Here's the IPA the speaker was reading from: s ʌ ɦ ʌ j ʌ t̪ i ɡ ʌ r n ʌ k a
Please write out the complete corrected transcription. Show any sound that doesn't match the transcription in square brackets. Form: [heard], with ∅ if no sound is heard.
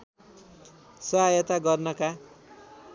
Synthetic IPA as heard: s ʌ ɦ [a] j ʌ t̪ [a] ɡ ʌ r n ʌ k a